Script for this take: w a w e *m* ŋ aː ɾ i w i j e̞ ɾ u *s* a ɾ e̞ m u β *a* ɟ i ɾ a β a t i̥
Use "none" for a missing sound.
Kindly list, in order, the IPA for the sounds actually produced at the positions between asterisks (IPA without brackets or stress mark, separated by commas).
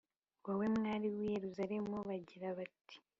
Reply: m, z, a